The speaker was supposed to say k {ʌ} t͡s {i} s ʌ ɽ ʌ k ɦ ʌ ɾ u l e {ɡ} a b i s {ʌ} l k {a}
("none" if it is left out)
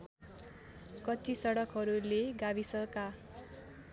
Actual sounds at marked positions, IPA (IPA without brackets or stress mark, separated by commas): ʌ, i, ɡ, ʌ, a